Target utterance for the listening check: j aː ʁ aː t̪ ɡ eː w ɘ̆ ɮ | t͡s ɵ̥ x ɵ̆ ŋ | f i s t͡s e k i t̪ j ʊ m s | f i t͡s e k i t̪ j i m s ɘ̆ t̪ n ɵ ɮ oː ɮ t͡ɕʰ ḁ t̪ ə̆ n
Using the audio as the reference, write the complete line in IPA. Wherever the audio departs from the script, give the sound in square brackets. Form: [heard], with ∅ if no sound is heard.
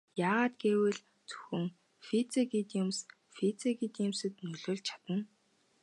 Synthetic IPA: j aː ʁ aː t̪ ɡ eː w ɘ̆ ɮ | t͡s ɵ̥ x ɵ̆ ŋ | f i [∅] t͡s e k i t̪ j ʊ m s | f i t͡s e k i t̪ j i m s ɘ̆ t̪ n ɵ ɮ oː ɮ t͡ɕʰ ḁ t̪ ə̆ n